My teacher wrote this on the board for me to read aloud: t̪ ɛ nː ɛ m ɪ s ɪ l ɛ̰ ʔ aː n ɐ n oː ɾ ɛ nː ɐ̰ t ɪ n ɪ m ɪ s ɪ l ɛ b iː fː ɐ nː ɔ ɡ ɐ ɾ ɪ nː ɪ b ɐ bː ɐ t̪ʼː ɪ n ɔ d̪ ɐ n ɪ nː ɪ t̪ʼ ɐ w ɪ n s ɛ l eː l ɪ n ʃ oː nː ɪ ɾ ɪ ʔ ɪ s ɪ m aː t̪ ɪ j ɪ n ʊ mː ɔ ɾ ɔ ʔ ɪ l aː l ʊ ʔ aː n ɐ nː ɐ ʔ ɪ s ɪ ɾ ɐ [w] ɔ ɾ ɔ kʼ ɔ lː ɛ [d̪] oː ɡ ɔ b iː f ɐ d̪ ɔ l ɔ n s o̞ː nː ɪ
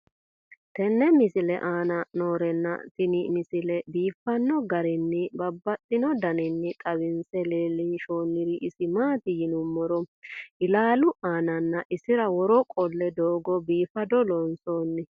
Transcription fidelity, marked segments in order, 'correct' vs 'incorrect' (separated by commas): correct, correct